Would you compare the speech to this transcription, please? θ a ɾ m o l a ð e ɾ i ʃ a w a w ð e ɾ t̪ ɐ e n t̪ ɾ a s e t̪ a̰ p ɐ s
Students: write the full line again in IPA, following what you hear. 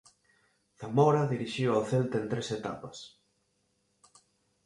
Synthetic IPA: θ a m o ɾ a ð i ɾ i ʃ i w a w θ e l t̪ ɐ e n t̪ ɾ e s e t̪ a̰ p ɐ s